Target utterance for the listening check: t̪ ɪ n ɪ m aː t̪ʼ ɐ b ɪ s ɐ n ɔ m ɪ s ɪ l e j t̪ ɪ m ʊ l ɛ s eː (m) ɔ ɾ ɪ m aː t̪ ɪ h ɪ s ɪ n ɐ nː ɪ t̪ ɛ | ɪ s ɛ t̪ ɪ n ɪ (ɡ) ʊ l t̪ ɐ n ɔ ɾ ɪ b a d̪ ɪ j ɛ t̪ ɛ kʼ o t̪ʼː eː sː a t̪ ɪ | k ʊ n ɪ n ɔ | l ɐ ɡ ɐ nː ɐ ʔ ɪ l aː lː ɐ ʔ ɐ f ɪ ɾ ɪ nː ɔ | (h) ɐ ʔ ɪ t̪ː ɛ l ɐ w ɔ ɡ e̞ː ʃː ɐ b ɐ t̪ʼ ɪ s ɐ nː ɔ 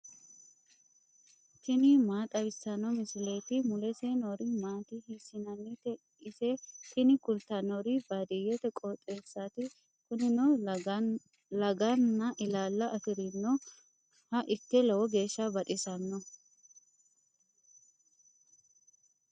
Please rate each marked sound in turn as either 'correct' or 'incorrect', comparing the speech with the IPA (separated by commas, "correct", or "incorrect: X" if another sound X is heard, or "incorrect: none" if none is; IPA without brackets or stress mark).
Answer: incorrect: n, incorrect: k, correct